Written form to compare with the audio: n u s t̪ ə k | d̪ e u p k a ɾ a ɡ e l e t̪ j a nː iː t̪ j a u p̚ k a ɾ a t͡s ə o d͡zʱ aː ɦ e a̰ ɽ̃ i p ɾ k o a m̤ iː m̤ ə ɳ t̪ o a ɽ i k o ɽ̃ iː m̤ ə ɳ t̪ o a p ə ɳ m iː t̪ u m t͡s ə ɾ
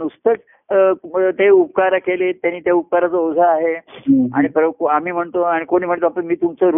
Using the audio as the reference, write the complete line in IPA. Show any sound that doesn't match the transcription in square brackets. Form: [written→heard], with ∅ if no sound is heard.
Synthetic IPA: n u s t̪ ə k | [d̪→t̪] e u p k a ɾ a [ɡ→k] e l e t̪ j a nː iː t̪ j a u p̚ k a ɾ a t͡s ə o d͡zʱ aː ɦ e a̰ ɽ̃ i p ɾ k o a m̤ iː m̤ ə ɳ t̪ o a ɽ i k o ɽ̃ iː m̤ ə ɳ t̪ o a p ə ɳ m iː t̪ u m t͡s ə ɾ